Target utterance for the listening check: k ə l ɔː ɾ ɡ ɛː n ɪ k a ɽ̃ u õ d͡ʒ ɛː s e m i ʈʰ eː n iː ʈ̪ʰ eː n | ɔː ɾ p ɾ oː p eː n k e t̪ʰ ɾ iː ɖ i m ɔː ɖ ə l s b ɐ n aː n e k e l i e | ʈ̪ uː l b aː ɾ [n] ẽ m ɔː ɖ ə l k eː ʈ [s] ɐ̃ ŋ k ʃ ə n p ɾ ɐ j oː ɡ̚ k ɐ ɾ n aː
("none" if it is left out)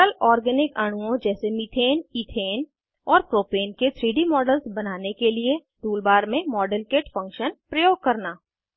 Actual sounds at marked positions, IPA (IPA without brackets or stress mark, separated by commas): m, f